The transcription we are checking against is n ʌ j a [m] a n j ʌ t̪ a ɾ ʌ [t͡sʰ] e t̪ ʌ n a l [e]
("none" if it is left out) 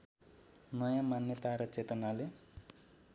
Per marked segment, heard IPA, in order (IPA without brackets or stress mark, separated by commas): m, t͡s, e